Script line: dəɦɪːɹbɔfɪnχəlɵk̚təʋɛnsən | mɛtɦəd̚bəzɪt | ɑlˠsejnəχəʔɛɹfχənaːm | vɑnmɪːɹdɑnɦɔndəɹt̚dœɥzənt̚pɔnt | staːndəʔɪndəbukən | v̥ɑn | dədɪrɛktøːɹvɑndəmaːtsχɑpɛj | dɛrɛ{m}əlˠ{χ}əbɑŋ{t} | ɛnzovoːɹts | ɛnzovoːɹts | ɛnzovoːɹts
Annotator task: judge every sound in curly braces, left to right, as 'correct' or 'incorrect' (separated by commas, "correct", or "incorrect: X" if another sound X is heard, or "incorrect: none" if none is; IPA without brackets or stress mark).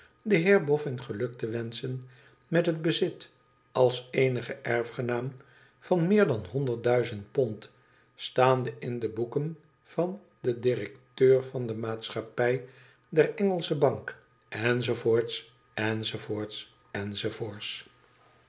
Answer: incorrect: ŋ, incorrect: s, incorrect: k